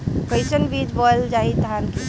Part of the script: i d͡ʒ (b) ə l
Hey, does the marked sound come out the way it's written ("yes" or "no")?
yes